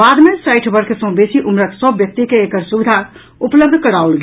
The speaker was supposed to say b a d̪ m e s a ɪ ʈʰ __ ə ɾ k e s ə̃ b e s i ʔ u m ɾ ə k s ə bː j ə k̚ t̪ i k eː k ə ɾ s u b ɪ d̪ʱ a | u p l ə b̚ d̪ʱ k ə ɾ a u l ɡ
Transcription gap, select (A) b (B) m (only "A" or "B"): A